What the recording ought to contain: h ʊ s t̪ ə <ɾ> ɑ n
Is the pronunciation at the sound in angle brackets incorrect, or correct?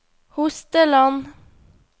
incorrect